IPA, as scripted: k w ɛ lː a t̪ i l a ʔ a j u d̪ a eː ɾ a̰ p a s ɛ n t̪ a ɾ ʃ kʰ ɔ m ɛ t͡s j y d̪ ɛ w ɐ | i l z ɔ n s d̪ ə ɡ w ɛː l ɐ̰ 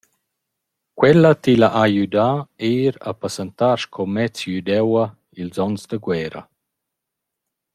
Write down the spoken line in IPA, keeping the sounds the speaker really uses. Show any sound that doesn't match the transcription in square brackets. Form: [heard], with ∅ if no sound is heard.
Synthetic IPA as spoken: k w ɛ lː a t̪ i l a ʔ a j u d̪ a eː ɾ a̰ p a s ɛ n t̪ a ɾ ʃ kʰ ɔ m ɛ t͡s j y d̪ ɛ w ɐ | i l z ɔ n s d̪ ə ɡ w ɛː [ɾ] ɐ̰